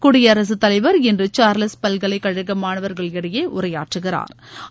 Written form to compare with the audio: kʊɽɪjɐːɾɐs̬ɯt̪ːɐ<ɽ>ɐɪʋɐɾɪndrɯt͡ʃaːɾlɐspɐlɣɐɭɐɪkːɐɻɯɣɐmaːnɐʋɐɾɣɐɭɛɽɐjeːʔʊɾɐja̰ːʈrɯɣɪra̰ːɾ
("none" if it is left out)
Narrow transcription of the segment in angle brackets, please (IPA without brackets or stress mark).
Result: l